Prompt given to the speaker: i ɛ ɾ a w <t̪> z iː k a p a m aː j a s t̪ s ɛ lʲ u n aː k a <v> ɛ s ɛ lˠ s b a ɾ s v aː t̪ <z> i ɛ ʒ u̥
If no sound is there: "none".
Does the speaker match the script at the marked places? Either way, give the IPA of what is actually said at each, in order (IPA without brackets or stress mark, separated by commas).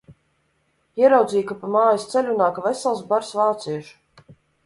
d̪, v, s